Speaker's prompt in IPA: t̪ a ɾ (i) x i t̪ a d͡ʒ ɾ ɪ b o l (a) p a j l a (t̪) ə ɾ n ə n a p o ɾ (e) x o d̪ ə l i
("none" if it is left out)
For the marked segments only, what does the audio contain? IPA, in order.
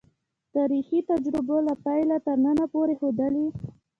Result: i, a, t̪, e

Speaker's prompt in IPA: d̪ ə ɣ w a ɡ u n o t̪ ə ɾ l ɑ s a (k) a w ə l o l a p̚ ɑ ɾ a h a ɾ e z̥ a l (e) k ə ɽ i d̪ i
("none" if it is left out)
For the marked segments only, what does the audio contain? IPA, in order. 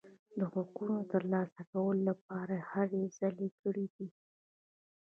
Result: k, e

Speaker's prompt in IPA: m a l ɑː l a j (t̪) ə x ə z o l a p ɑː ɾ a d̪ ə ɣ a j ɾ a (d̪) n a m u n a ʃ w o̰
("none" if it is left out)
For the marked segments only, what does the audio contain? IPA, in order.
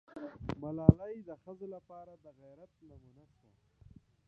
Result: d̪, t̪

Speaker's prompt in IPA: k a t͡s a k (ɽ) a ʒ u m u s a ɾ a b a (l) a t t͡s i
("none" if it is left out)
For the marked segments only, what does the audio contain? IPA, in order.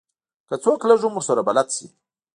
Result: l, l

